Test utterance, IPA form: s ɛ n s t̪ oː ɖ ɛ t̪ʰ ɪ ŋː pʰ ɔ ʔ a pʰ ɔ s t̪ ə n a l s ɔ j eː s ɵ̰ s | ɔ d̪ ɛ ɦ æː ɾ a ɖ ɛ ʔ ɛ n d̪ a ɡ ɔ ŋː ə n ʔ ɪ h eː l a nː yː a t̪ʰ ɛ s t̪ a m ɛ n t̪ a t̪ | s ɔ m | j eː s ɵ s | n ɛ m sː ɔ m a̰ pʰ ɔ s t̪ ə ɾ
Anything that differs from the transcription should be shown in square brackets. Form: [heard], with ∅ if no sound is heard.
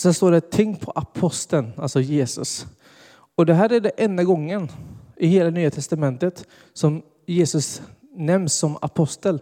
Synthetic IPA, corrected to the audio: s ɛ n s t̪ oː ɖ ɛ t̪ʰ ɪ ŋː pʰ ɔ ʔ a pʰ ɔ s t̪ ə n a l s ɔ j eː s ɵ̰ s | ɔ d̪ ɛ ɦ æː ɾ [æ] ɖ ɛ ʔ ɛ n d̪ a ɡ ɔ ŋː ə n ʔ ɪ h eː l a [n] yː a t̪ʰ ɛ s t̪ a m ɛ n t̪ [ə] t̪ | s ɔ m | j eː s ɵ s | n ɛ m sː ɔ m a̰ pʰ ɔ s t̪ ə [l]